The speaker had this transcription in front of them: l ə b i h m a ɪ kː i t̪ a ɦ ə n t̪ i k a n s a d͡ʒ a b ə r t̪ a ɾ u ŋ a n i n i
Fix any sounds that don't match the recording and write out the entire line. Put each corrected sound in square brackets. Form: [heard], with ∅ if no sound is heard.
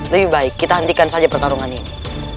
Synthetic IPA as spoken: l ə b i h [b] a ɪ kː i t̪ a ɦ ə n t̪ i k a n s a d͡ʒ a [p] ə r t̪ a ɾ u ŋ a n i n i